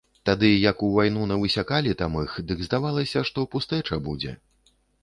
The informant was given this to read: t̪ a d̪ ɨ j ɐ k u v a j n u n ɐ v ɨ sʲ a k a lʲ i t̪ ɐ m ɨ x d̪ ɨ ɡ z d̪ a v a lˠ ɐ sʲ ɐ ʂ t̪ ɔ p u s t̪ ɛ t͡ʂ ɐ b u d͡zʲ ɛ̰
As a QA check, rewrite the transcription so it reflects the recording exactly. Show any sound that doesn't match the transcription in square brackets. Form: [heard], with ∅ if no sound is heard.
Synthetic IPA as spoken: t̪ a d̪ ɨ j ɐ k u v a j n u n ɐ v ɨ sʲ a k a lʲ i t̪ [a] m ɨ x d̪ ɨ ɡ z d̪ a v a lˠ ɐ sʲ ɐ ʂ t̪ ɔ p u s t̪ ɛ t͡ʂ ɐ b u d͡zʲ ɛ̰

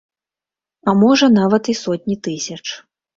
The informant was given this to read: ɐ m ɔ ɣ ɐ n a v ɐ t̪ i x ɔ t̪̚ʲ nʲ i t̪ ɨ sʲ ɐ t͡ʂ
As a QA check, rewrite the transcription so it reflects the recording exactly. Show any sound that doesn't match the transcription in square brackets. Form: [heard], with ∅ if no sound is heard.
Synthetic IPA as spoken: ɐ m ɔ [ʐ] ɐ n a v ɐ t̪ i [s] ɔ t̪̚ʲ nʲ i t̪ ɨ sʲ ɐ t͡ʂ

